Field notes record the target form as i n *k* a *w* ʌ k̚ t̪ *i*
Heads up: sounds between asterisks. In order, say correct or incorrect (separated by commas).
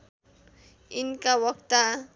correct, correct, incorrect